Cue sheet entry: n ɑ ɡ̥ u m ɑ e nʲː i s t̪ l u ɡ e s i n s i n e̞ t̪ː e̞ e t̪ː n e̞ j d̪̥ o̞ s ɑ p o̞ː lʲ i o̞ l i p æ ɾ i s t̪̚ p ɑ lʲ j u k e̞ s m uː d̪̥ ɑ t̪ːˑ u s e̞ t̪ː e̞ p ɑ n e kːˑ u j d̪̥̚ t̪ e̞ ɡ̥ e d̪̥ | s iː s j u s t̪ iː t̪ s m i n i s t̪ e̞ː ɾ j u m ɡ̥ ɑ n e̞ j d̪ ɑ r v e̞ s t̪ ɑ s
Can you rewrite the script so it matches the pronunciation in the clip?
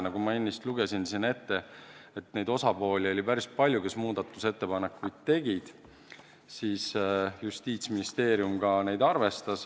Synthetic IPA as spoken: n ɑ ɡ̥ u m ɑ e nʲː i s t̪ l u ɡ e s i n s i n e̞ t̪ː e̞ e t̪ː n e̞ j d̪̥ o̞ s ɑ p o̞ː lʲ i o̞ l i p æ ɾ i s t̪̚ p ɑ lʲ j u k e̞ s m uː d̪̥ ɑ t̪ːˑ u s e̞ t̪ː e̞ p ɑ n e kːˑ u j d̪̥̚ t̪ e̞ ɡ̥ i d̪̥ | s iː s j u s t̪ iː t̪ s m i n i s t̪ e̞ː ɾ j u m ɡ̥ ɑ n e̞ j d̪ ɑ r v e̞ s t̪ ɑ s